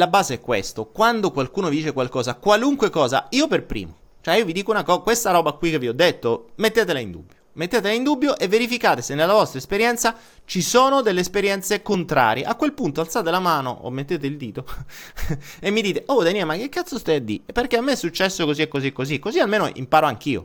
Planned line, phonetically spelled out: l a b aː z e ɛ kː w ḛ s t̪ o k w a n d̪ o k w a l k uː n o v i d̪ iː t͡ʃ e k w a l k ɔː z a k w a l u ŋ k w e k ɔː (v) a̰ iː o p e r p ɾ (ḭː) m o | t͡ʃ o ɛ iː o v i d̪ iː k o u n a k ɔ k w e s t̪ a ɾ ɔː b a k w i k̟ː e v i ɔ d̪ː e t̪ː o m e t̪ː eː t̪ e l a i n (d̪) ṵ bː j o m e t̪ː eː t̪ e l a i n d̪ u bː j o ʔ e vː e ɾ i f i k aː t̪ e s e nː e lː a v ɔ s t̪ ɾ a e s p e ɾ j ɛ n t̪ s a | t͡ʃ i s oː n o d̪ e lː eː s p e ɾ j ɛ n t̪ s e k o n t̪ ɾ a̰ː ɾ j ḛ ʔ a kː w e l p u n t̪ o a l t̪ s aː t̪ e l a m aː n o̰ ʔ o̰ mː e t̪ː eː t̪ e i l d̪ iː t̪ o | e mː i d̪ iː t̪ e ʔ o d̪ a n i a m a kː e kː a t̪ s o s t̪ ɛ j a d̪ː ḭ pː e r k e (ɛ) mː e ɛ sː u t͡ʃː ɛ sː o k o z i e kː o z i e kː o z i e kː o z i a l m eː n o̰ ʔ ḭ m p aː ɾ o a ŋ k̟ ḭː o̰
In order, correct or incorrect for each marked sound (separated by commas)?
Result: incorrect, correct, correct, incorrect